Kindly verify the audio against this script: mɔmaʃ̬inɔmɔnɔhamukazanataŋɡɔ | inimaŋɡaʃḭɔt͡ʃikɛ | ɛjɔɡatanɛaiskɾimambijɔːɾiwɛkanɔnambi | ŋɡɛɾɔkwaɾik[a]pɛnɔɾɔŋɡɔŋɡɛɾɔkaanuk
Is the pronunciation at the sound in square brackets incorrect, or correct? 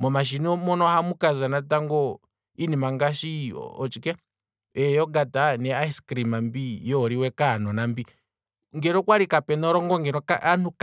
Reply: correct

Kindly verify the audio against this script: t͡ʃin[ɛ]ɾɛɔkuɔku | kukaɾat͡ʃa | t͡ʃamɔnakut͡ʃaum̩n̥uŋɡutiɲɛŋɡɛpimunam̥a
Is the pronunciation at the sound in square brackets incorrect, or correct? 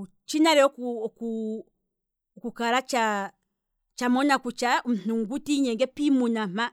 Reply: incorrect: a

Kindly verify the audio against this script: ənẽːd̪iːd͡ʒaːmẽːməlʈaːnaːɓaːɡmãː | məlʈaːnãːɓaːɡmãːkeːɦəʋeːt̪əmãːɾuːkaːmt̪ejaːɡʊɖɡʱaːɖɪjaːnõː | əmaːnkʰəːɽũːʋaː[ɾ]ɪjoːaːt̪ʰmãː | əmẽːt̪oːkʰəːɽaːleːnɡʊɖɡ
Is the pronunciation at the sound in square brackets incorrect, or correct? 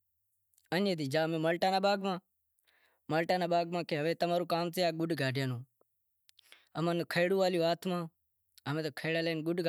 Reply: incorrect: l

